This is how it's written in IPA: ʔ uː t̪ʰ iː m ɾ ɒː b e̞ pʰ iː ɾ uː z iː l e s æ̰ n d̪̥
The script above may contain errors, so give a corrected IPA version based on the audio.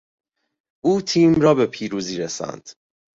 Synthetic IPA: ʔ uː t̪ʰ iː m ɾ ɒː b e̞ pʰ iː ɾ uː z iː ɾ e s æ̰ n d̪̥